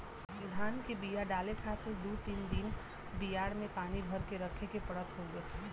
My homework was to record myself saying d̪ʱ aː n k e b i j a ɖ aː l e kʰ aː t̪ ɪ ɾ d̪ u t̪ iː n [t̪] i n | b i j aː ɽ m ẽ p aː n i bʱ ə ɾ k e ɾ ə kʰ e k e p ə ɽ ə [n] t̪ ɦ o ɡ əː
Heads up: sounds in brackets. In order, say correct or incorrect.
incorrect: d̪, incorrect: none

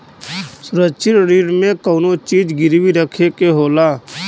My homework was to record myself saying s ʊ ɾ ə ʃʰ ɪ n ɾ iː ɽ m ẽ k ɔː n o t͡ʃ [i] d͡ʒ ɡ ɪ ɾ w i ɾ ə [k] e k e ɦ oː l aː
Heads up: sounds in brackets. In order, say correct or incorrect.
incorrect: iː, incorrect: kʰ

